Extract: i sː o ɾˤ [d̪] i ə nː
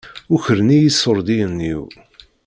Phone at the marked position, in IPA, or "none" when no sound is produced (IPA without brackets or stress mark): d̪